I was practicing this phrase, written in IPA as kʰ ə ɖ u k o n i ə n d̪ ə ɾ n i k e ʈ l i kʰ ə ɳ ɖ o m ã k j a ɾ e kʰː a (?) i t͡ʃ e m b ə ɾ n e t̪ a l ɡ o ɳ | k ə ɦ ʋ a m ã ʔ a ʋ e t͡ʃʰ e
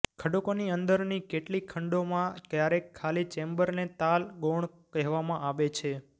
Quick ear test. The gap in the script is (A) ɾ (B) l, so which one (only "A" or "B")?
B